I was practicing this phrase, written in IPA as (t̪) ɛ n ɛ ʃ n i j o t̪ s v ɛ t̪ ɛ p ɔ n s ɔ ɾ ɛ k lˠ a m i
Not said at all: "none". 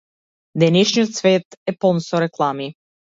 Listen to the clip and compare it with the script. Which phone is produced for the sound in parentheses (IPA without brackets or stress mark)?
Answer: d̪